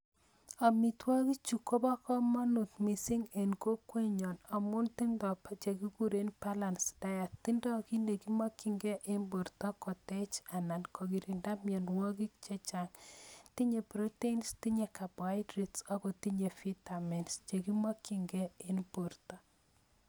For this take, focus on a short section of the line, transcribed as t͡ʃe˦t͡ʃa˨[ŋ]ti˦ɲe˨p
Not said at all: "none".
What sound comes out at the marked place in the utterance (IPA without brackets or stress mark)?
ŋ